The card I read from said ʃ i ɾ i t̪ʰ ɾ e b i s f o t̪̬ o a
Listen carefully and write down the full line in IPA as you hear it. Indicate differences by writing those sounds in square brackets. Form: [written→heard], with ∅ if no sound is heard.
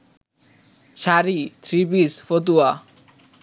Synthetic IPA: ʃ [i→a] ɾ i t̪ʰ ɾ [e→i] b i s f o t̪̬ [o→u] a